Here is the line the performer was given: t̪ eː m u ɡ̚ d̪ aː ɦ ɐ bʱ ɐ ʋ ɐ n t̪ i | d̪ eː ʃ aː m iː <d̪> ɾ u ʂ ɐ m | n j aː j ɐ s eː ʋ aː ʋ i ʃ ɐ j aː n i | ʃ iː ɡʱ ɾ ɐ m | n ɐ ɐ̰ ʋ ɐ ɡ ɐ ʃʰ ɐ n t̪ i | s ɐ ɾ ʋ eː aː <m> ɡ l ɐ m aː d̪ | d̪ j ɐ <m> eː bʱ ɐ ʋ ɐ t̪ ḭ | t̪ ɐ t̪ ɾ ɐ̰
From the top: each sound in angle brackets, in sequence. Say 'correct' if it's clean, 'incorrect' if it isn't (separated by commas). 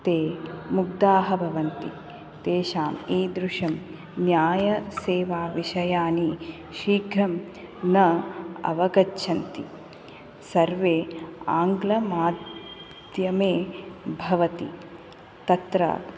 correct, incorrect, correct